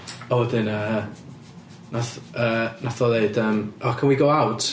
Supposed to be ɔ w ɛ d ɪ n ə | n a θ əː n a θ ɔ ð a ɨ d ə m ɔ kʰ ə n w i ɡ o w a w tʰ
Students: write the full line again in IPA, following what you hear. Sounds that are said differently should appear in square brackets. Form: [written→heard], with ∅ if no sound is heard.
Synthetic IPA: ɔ w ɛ d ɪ n ə | n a θ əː n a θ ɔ ð [a→e] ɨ d ə m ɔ kʰ ə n w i ɡ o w a w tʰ